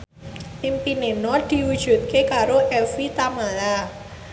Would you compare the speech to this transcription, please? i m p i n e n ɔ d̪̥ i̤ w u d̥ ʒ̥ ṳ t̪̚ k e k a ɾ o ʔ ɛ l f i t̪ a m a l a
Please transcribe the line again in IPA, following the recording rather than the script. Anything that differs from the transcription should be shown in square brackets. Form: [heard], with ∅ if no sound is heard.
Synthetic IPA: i m p i n e n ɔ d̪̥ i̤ w u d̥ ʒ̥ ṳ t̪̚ k e k a ɾ o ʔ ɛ [∅] f i t̪ a m a l a